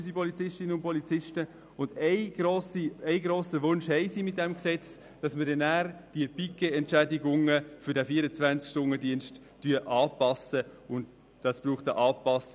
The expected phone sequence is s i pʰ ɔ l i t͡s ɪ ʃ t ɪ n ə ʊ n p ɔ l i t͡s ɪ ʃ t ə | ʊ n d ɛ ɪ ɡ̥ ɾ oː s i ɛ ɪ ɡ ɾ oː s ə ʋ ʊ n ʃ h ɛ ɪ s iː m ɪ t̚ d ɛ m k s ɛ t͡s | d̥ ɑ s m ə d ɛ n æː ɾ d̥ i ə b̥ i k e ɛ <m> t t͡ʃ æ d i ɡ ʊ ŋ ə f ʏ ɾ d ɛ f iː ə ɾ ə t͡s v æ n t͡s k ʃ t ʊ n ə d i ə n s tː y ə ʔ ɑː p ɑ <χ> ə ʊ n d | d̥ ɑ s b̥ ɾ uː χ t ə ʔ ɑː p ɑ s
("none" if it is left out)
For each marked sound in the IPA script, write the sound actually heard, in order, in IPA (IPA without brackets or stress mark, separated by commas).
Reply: n, s